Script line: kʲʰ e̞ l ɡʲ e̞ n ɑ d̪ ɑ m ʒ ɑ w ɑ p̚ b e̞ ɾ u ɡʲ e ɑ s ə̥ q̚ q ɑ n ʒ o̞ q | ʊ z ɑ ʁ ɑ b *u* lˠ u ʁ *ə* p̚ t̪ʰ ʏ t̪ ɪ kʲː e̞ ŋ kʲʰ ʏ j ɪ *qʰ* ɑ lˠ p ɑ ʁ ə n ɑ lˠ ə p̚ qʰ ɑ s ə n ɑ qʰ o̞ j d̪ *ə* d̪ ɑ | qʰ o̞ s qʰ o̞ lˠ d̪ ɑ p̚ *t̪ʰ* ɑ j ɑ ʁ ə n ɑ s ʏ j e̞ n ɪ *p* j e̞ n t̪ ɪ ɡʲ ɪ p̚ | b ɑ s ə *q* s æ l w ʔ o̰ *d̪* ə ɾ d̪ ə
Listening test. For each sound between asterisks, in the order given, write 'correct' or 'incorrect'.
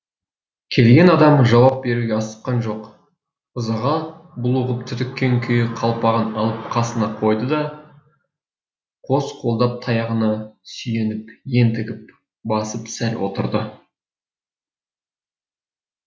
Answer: incorrect, correct, correct, correct, correct, correct, incorrect, incorrect

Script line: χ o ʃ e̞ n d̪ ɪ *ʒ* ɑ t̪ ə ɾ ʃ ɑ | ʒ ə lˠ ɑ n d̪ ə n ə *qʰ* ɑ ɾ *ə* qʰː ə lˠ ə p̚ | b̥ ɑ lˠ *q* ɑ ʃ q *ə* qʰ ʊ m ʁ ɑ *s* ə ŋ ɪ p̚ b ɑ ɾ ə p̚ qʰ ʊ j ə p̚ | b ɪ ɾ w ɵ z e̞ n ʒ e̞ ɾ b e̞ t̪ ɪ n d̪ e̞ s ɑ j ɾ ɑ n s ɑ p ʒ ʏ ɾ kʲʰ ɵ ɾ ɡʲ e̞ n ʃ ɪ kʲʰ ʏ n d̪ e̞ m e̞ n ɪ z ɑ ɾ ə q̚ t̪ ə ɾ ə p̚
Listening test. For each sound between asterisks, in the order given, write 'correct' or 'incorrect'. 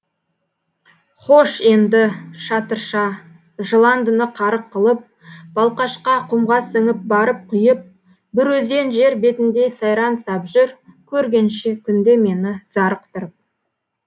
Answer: incorrect, correct, correct, correct, incorrect, correct

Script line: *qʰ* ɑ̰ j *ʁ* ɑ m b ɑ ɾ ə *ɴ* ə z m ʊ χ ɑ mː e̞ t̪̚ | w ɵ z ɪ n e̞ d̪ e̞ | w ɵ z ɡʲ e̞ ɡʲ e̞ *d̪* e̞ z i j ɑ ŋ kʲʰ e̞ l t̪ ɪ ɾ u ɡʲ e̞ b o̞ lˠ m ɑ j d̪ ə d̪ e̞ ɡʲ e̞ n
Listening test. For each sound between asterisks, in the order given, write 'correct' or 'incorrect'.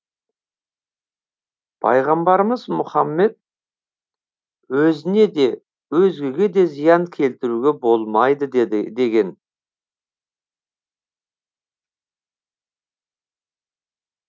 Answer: incorrect, correct, incorrect, correct

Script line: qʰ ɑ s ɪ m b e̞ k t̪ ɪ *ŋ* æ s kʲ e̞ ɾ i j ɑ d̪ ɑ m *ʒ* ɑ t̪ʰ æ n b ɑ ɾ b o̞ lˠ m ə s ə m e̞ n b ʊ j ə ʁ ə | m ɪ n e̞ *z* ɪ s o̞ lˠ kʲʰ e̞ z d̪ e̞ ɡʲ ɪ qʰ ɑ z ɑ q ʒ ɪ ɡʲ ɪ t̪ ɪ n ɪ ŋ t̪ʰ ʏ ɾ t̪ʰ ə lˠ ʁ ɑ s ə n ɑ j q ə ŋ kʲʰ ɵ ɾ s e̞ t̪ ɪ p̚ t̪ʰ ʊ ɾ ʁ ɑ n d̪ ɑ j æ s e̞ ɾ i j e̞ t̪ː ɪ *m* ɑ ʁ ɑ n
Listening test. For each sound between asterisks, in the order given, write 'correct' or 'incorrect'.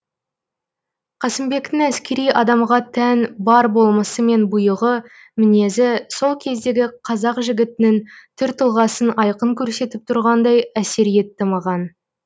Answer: correct, incorrect, correct, correct

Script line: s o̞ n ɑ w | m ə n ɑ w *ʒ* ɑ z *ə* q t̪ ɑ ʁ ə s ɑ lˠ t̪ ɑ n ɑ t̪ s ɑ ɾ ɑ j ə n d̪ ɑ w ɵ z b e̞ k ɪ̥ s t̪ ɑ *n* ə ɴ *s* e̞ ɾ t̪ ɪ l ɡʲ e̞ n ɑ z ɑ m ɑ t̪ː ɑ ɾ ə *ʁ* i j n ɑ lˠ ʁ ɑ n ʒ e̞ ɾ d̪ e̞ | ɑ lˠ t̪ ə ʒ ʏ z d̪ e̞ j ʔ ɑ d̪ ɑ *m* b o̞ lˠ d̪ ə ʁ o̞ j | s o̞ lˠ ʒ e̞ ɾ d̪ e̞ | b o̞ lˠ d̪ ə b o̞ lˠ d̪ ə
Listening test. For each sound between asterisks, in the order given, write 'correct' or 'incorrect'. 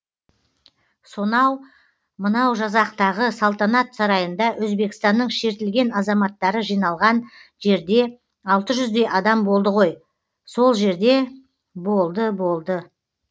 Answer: correct, incorrect, incorrect, incorrect, incorrect, correct

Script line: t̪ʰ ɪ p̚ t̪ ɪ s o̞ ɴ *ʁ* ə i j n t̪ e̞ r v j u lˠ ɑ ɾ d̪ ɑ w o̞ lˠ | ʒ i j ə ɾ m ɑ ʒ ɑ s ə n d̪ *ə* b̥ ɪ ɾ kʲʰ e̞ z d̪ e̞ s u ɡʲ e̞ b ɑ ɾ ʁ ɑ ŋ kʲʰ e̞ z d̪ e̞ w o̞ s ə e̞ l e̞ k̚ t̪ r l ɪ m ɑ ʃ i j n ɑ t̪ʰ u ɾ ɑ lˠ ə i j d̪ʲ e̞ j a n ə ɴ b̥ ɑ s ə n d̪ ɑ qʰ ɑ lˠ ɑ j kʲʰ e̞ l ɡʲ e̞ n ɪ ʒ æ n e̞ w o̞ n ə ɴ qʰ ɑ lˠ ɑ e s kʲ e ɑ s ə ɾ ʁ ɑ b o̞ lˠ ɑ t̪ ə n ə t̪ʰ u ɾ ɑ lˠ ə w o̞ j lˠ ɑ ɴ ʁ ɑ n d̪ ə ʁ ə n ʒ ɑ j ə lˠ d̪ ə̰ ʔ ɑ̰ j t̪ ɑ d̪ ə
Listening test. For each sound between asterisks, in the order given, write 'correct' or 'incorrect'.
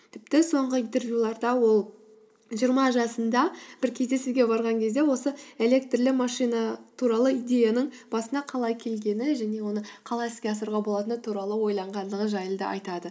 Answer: correct, incorrect

